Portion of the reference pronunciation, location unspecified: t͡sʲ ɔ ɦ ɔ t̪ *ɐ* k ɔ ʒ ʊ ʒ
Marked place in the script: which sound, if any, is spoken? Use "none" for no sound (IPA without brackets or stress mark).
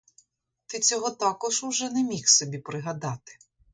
ɑ